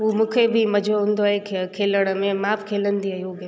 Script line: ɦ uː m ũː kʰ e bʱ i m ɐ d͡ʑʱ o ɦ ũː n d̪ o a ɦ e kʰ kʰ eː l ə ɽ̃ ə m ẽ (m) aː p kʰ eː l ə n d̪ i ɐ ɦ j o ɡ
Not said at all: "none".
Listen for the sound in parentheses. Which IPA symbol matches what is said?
m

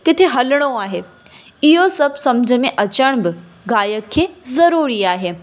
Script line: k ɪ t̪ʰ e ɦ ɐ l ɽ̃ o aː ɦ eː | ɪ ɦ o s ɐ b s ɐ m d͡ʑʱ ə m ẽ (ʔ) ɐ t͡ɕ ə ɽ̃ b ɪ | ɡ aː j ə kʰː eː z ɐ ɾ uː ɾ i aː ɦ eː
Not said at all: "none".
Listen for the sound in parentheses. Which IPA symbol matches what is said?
ʔ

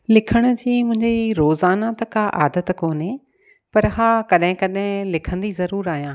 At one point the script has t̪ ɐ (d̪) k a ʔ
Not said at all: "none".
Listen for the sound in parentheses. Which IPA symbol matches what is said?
none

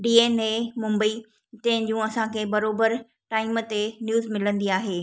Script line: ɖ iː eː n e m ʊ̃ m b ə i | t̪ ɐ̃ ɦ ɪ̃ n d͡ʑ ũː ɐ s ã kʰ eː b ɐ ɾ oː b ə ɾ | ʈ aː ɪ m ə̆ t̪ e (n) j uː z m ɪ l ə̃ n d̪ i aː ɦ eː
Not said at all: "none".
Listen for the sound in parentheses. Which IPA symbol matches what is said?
n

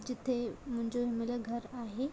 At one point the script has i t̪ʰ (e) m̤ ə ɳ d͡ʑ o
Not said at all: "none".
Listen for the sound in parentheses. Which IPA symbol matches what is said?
e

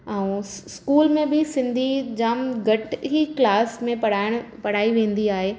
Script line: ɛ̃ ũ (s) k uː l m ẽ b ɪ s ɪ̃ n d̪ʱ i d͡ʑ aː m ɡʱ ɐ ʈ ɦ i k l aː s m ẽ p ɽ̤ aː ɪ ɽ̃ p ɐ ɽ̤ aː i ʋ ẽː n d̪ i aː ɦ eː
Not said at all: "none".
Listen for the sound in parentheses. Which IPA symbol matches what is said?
s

